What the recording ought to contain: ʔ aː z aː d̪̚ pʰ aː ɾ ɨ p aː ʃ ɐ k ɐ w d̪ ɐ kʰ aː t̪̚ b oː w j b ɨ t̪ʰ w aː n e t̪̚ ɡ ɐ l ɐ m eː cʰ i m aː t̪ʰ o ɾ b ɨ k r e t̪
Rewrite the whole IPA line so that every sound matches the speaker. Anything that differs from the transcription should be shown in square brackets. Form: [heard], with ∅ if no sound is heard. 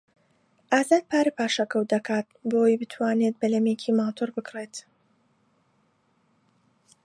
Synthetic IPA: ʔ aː z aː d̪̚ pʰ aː ɾ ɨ p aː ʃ ɐ k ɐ w d̪ ɐ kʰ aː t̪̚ b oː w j b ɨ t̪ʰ w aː n e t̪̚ [b] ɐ l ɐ m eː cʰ i m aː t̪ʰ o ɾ b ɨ k r e t̪